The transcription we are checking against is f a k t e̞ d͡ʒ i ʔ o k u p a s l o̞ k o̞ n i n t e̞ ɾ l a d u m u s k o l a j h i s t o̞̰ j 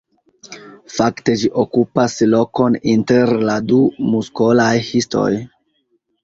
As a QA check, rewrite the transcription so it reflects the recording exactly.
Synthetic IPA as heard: f a k t e̞ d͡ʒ i ʔ o k u p a s l o̞ k o̞ n i n t e̞ ɾ l a d u m u s k o l a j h i s t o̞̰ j